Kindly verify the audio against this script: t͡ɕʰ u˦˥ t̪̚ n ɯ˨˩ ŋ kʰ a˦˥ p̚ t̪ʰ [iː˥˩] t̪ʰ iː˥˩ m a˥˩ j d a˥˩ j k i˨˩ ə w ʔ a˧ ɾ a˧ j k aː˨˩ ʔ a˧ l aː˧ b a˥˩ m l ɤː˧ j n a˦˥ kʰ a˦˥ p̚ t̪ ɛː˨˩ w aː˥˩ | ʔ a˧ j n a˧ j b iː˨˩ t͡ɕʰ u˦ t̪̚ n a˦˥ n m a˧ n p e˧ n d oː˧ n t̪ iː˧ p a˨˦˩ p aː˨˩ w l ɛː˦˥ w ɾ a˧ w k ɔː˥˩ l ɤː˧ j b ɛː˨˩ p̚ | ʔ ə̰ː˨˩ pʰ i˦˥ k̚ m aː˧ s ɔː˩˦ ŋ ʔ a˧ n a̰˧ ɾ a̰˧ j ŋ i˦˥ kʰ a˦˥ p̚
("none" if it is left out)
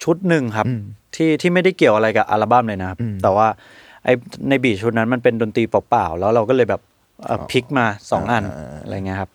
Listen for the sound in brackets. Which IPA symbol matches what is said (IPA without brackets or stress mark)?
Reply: iː˥˩